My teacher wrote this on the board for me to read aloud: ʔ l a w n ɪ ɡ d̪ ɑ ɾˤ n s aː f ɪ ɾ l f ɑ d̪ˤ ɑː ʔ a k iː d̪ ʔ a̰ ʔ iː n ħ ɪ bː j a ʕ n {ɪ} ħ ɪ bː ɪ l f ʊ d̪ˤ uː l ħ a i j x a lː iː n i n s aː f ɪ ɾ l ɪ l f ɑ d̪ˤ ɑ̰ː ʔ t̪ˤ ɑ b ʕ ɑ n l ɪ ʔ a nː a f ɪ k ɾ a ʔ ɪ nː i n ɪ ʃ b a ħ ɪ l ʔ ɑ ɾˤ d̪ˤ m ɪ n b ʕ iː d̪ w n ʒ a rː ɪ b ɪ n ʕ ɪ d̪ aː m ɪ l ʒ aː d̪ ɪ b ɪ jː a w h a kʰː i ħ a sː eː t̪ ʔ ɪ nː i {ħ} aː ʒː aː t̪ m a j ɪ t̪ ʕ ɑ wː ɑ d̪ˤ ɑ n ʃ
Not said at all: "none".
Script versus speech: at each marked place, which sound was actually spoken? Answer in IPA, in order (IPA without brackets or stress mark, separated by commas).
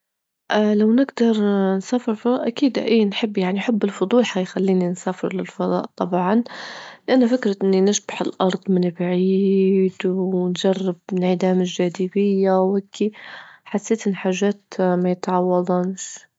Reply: i, ħ